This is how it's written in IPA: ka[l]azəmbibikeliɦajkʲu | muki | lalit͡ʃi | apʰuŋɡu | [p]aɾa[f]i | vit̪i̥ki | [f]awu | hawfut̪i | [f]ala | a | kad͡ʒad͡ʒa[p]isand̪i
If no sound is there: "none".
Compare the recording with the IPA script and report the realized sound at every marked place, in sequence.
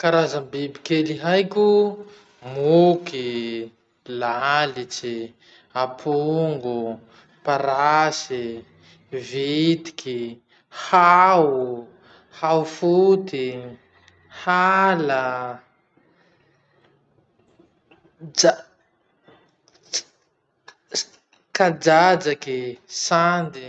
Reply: ɾ, p, s, h, h, k

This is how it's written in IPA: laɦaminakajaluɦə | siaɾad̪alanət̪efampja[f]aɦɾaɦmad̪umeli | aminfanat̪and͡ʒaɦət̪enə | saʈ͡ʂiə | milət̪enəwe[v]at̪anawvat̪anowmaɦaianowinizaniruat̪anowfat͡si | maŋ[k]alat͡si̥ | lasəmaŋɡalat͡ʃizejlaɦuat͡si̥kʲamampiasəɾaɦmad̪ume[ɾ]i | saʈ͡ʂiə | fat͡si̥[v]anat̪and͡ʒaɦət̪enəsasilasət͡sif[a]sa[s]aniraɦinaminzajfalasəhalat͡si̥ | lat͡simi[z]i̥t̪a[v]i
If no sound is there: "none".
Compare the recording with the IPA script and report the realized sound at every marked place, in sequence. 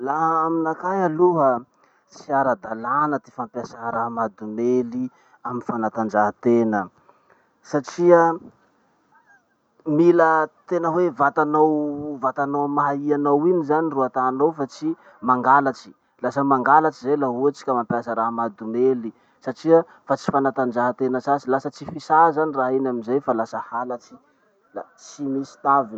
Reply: s, v, ɡ, l, f, i, z, s, v

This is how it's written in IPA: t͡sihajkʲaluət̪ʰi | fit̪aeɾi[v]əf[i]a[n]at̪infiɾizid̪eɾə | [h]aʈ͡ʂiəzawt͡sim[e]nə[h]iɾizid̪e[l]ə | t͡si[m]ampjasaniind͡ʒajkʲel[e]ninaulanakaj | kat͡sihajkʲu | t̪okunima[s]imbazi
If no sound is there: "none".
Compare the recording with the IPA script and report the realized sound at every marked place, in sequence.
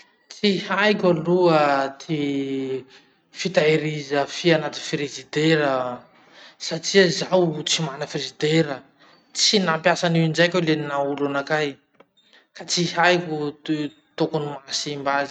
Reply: z, i, n, s, a, f, ɾ, n, e, s

